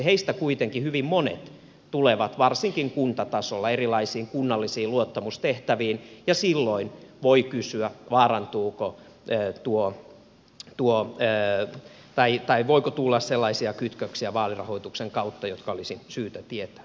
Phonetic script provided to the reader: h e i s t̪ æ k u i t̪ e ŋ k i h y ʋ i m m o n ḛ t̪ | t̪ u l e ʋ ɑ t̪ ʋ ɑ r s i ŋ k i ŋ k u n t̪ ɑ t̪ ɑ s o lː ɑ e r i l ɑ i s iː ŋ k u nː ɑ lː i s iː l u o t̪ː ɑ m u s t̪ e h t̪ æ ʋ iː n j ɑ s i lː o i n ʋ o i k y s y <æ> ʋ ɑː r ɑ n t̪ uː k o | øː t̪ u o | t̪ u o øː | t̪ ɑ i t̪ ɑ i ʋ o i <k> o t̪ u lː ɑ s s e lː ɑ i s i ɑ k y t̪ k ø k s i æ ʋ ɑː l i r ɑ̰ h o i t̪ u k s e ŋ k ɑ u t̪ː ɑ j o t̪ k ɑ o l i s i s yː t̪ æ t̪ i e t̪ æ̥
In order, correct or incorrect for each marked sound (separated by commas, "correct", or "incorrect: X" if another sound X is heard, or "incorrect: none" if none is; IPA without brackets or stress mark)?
correct, correct